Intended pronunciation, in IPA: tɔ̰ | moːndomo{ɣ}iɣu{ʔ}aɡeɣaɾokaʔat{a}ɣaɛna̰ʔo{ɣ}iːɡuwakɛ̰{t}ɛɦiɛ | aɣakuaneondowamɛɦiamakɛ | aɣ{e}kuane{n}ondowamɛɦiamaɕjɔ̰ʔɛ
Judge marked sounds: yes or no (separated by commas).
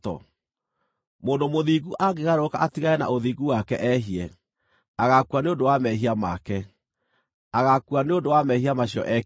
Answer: no, yes, no, no, no, no, no